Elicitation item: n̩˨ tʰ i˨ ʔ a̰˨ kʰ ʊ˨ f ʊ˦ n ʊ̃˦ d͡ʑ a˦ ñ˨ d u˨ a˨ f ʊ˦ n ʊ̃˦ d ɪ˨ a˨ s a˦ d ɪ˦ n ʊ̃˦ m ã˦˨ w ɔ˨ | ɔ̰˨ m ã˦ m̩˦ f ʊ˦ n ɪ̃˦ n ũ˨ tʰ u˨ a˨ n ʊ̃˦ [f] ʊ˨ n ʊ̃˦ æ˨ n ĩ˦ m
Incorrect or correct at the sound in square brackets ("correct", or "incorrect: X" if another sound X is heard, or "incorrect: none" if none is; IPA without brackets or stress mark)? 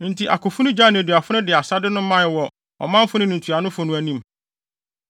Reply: correct